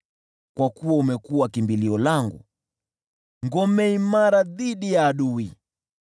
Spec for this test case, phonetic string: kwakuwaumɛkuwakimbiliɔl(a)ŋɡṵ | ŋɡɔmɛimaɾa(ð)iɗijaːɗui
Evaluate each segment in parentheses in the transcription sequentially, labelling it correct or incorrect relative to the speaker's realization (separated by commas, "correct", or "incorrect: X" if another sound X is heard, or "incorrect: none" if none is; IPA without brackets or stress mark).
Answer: correct, correct